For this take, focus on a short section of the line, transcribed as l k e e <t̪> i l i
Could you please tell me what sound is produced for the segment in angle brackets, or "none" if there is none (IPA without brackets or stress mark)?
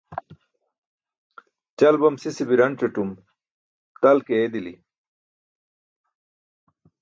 d̪